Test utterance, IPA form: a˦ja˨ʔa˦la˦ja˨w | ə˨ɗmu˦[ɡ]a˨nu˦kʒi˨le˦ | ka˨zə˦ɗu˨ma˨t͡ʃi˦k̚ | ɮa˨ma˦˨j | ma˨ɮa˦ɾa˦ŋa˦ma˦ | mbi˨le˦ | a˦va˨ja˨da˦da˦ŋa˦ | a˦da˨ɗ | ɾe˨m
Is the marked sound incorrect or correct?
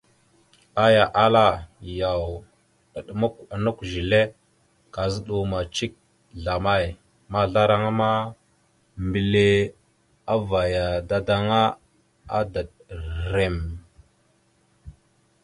incorrect